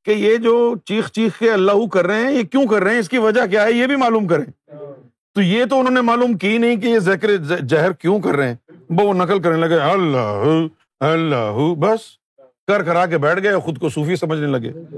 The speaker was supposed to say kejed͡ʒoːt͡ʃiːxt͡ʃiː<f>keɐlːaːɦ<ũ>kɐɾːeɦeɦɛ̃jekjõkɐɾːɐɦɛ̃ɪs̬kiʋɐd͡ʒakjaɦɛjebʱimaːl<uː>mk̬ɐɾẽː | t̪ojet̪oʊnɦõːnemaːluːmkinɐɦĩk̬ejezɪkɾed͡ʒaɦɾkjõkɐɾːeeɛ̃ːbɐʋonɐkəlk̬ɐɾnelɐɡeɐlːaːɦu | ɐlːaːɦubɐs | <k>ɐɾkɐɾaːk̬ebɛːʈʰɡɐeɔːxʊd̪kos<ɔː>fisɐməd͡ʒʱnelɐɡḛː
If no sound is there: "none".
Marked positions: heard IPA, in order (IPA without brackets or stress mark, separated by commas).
x, u, uː, k, uː